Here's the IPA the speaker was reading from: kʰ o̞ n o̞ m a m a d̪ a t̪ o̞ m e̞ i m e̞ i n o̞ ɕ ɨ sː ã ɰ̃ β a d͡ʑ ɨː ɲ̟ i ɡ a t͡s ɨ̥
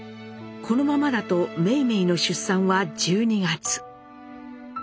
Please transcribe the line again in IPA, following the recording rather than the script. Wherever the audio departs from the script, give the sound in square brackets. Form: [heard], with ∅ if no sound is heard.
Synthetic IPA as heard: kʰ o̞ n o̞ m a m a d̪ a t̪ o̞ m e̞ i m e̞ i n o̞ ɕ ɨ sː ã ɰ̃ β a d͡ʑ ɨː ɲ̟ i ɡ a t͡s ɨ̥

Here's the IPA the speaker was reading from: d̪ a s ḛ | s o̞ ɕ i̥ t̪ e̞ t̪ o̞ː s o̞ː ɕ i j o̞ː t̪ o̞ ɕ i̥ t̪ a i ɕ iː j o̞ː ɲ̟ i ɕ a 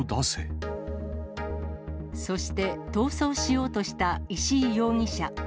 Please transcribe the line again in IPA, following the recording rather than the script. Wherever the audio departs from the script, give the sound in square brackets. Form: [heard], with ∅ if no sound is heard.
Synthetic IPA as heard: d̪ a s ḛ | s o̞ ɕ i̥ t̪ e̞ t̪ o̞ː s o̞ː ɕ i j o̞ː t̪ o̞ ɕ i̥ t̪ a i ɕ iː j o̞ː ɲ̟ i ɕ a

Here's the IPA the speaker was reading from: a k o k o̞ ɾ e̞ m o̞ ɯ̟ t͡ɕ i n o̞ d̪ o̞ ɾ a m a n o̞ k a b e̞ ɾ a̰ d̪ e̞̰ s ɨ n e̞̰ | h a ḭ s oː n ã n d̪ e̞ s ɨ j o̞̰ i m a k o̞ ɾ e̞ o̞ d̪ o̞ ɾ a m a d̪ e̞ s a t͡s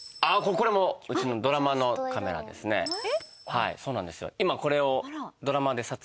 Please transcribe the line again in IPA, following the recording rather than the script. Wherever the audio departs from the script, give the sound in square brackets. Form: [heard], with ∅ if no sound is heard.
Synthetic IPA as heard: a k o k o̞ ɾ e̞ m o̞ ɯ̟ t͡ɕ i n o̞ d̪ o̞ ɾ a m a n o̞ k a [m] e̞ ɾ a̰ d̪ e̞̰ s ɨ n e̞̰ | h a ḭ s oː n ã n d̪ e̞ s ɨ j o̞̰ i m a k o̞ ɾ e̞ o̞ d̪ o̞ ɾ a m a d̪ e̞ s a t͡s

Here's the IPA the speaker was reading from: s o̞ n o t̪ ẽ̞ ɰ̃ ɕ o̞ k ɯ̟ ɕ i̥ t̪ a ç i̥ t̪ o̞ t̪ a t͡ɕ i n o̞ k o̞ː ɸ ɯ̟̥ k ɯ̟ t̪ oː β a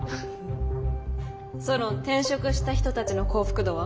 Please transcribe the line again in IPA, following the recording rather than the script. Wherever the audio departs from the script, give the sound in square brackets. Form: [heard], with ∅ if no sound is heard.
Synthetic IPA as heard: s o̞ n o t̪ ẽ̞ ɰ̃ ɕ o̞ k ɯ̟ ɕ i̥ t̪ a ç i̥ t̪ o̞ t̪ a t͡ɕ i n o̞ k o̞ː ɸ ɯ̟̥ k ɯ̟ [d̪] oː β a

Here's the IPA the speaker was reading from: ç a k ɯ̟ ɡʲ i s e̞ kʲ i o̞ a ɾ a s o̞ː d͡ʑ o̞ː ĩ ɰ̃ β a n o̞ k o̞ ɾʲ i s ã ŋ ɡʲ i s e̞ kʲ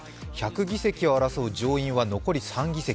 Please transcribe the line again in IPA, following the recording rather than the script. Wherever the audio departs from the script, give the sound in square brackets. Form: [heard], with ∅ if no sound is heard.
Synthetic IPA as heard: ç a k ɯ̟ ɡʲ i s e̞ kʲ i o̞ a ɾ a s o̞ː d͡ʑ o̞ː ĩ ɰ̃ β a n o̞ k o̞ ɾʲ i s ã ŋ ɡʲ i s e̞ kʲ

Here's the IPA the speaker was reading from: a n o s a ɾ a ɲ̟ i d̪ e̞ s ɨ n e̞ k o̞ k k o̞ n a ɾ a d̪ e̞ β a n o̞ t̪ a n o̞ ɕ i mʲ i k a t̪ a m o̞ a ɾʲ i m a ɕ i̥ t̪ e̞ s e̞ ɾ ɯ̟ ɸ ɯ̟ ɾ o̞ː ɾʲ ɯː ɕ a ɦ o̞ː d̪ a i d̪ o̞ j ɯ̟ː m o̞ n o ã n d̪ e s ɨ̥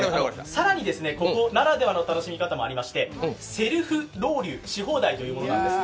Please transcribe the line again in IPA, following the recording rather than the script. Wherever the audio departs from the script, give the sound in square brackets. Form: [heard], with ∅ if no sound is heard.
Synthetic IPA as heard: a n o s a ɾ a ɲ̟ i d̪ e̞ s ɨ n e̞ k o̞ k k o̞ n a ɾ a d̪ e̞ β a n o̞ t̪ a n o̞ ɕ i mʲ i k a t̪ a m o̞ a ɾʲ i m a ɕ i̥ t̪ e̞ s e̞ ɾ ɯ̟ ɸ ɯ̟ ɾ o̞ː ɾʲ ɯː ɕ [i] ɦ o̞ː d̪ a i [t̪] o̞ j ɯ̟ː m o̞ n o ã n d̪ e s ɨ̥

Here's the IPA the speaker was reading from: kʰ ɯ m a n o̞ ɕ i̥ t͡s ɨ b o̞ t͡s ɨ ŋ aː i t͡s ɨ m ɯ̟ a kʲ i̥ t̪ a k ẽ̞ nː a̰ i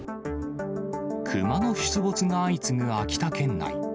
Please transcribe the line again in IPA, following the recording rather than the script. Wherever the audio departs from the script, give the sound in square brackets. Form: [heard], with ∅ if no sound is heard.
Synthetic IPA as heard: kʰ ɯ m a n o̞ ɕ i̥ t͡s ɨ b o̞ t͡s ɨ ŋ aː i t͡s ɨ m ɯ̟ a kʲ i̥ t̪ a k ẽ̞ nː a̰ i

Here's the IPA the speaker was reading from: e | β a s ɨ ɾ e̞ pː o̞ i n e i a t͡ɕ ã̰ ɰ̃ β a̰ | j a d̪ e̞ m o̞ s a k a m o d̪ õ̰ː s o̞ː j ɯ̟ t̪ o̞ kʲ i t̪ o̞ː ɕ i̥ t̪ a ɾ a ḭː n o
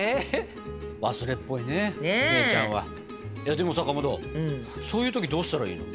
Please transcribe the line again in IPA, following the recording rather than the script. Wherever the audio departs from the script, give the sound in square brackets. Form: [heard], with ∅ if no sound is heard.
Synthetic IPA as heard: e | β a s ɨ ɾ e̞ pː o̞ i n e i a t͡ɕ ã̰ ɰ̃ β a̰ | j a d̪ e̞ m o̞ s a k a m o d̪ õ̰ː s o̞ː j ɯ̟ t̪ o̞ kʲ i [d̪] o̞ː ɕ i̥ t̪ a ɾ a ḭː n o

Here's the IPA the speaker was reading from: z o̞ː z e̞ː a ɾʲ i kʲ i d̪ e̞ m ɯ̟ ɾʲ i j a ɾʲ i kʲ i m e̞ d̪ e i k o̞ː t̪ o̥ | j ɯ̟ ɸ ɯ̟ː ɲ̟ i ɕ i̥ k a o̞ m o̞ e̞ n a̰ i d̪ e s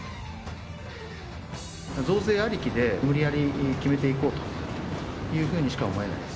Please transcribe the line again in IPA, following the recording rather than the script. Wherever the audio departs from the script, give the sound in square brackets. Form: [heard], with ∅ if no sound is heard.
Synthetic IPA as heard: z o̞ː z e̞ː a ɾʲ i kʲ i d̪ e̞ m ɯ̟ ɾʲ i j a ɾʲ i kʲ i m e̞ [t̪] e i k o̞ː t̪ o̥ | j [ɯ̟ː] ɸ ɯ̟ː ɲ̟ i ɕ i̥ k a o̞ m o̞ e̞ n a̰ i d̪ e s

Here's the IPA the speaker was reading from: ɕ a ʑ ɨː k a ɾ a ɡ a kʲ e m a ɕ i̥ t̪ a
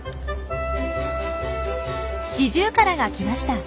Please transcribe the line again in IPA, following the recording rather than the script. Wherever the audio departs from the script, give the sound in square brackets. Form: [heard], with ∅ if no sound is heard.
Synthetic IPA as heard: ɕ [i] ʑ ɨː k a ɾ a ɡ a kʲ [i] m a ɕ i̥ t̪ a

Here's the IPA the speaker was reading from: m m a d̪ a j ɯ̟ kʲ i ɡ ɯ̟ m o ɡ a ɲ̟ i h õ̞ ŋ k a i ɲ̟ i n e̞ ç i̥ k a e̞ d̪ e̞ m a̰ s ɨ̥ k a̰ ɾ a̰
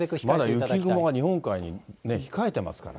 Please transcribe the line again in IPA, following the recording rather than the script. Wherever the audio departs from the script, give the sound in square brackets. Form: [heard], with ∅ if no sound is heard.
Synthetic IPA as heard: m m a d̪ a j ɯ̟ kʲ i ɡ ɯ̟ m o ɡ a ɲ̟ i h õ̞ ŋ k a i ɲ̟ i n e̞ ç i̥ k a e̞ [t̪] e̞ m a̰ s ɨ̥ k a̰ ɾ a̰

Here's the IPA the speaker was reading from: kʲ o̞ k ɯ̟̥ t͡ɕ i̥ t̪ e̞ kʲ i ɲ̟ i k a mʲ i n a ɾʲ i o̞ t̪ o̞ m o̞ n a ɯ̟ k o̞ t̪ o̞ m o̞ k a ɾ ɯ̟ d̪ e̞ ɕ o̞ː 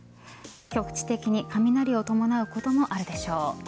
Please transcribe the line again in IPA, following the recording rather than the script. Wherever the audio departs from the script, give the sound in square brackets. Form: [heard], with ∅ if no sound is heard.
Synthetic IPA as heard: kʲ o̞ k ɯ̟̥ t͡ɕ i̥ t̪ e̞ kʲ i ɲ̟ i k a mʲ i n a ɾʲ i o̞ t̪ o̞ m o̞ n a ɯ̟ k o̞ t̪ o̞ m o̞ [ʔ] a ɾ ɯ̟ d̪ e̞ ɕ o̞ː

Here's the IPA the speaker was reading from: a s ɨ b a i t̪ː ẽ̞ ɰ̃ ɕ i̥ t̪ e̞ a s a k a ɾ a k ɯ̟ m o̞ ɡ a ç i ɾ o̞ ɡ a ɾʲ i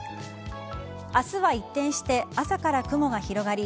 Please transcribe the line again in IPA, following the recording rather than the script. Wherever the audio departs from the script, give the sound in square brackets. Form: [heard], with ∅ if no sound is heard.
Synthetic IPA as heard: a s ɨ [β] a i t̪ː ẽ̞ ɰ̃ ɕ i̥ t̪ e̞ a s a k a ɾ a k ɯ̟ m o̞ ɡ a ç i ɾ o̞ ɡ a ɾʲ i

